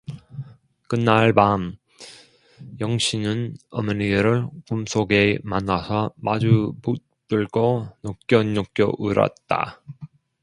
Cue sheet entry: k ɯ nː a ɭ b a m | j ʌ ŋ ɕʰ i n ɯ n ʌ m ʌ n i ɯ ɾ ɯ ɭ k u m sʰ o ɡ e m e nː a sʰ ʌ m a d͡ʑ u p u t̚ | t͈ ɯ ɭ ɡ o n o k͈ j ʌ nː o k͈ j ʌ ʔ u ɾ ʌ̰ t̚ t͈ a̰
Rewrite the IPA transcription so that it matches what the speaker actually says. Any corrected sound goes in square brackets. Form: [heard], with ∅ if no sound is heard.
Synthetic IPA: k ɯ nː a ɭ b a m | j ʌ ŋ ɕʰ i n ɯ n ʌ m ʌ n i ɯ ɾ ɯ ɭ k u m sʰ o ɡ e m [a] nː a sʰ ʌ m a d͡ʑ u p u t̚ | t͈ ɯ ɭ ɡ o n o k͈ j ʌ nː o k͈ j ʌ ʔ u ɾ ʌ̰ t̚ t͈ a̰

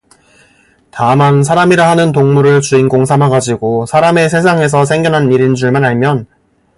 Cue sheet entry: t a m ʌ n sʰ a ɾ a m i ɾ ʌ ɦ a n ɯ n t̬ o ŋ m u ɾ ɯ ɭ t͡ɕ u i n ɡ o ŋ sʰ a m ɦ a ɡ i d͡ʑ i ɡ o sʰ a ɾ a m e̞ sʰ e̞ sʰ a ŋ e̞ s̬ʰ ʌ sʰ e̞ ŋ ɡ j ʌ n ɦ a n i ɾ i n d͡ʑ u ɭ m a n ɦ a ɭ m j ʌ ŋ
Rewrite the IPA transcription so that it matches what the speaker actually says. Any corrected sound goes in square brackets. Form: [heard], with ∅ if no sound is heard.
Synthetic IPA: t a m [a] n sʰ a ɾ a m i ɾ [a] ɦ a n ɯ n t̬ o ŋ m u ɾ ɯ ɭ t͡ɕ u i n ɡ o ŋ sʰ a m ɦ a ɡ [a] d͡ʑ i ɡ o sʰ a ɾ a m e̞ sʰ e̞ sʰ a ŋ e̞ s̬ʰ ʌ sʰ e̞ ŋ ɡ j ʌ n ɦ a n i ɾ i n d͡ʑ u ɭ m a n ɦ a ɭ m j ʌ [n]

